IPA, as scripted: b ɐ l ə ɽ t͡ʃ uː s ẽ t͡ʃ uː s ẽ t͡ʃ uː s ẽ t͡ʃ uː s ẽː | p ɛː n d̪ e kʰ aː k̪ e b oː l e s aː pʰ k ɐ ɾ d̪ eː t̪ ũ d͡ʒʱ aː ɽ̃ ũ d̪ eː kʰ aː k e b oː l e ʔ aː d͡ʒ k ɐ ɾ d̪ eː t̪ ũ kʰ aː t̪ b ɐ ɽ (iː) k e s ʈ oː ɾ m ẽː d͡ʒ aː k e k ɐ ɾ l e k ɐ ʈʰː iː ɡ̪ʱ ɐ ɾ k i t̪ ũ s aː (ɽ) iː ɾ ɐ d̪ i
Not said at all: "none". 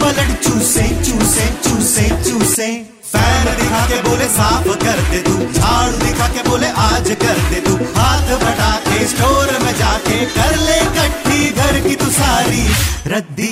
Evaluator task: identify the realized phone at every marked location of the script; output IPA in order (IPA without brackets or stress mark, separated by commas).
aː, ɾ